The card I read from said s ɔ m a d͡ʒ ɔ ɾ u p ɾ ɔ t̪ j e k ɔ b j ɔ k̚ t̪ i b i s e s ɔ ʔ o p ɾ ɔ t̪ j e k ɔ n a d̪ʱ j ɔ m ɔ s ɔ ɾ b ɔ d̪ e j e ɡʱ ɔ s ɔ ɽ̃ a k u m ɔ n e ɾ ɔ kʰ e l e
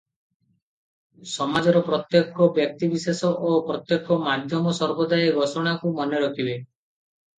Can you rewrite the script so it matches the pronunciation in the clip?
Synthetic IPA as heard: s ɔ m a d͡ʒ ɔ ɾ ɔ p ɾ ɔ t̪ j e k ɔ b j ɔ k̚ t̪ i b i s e s ɔ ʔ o p ɾ ɔ t̪ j e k ɔ m a d̪ʱ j ɔ m ɔ s ɔ ɾ b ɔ d̪ a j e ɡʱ ɔ s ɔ ɽ̃ a k u m ɔ n e ɾ ɔ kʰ i l e